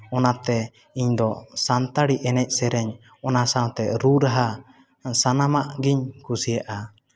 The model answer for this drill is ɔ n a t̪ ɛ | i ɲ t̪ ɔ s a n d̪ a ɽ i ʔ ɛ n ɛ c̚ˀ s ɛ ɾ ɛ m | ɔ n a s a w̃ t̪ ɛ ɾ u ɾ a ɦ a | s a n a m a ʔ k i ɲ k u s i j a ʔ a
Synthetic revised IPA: ɔ n a t̪ ɛ | i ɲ d̪ ɔ s a n t̪ a ɽ i ʔ ɛ n ɛ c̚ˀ s ɛ ɾ ɛ ɲ | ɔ n a s a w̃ t̪ ɛ ɾ u ɾ a ɦ a | s a n a m a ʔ ɡ i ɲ k u s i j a ʔ a